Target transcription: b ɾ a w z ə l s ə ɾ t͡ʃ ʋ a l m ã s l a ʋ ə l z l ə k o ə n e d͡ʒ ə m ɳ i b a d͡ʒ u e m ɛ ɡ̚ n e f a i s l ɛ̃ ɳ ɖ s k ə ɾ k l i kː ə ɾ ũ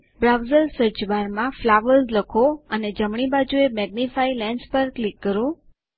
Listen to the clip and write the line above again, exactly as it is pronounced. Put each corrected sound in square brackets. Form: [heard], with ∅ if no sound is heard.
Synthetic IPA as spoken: b ɾ a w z ə l s ə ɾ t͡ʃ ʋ a [ɾ] m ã [f] l a ʋ ə l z l ə [kʰ] o ə n e d͡ʒ ə m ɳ i b a d͡ʒ u e m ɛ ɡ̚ n [i] f a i [∅] l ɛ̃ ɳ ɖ s [p] ə ɾ k l i kː ə ɾ ũ